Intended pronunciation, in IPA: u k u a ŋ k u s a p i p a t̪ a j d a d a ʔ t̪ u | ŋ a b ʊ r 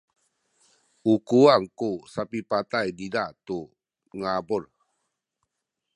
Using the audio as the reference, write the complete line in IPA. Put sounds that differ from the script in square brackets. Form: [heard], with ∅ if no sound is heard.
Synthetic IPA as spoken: u k u a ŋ k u s a p i p a t̪ a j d [i] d a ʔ t̪ u | ŋ a b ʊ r

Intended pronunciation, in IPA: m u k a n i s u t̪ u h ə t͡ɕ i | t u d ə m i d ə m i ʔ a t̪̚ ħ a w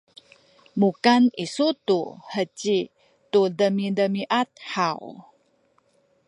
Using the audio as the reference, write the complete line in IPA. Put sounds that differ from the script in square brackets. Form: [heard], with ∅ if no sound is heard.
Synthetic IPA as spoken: m u k a n i s u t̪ u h ə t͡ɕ i | t u d ə m i d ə m i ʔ a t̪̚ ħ a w

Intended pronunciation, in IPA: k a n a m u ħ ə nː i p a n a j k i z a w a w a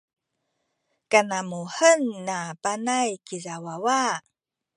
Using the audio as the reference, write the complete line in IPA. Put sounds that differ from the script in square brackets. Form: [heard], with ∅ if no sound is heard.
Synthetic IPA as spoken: k a n a m u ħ ə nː [a] p a n a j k i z a w a w a

